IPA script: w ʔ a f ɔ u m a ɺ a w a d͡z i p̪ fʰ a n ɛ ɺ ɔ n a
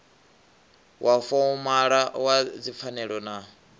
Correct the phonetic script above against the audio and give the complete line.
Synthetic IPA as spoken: w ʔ a f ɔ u m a ɺ a w a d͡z i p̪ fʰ a n ɛ ɺ ɔ n a